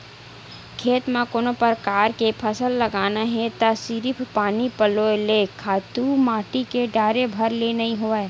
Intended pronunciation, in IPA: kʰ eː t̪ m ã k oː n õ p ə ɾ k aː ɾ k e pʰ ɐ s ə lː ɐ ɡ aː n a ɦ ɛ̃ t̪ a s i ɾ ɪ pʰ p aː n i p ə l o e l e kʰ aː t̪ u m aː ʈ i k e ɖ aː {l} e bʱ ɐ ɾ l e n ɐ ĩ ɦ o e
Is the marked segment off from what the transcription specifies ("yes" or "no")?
yes